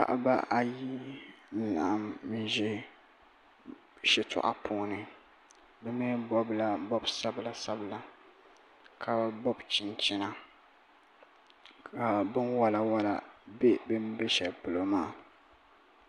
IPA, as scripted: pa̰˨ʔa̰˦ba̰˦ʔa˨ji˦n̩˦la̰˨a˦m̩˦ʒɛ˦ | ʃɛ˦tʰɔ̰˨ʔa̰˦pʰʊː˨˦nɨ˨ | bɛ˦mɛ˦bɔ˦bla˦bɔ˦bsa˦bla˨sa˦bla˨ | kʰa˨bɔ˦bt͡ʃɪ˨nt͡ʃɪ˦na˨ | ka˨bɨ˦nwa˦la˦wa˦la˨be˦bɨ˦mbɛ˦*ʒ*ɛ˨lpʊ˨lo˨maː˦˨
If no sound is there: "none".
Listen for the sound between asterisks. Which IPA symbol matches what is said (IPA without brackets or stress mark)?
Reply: ʃ